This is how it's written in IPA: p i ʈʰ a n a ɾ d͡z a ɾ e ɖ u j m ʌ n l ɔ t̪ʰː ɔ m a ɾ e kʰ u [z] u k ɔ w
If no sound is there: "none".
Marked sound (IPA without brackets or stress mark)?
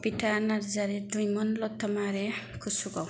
s